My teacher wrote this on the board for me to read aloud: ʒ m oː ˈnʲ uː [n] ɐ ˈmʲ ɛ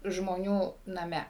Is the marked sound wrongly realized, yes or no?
no